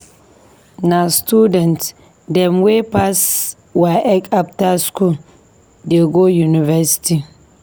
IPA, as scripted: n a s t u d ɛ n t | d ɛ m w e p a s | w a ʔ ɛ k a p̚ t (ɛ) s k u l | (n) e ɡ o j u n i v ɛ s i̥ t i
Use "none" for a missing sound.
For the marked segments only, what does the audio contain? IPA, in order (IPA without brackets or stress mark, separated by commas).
a, d